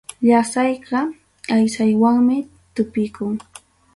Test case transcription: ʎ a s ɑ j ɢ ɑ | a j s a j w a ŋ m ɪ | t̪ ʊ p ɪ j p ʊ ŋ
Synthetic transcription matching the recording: ʎ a s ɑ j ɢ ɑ | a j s a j w a ŋ m ɪ | t̪ ʊ p ɪ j k ʊ ŋ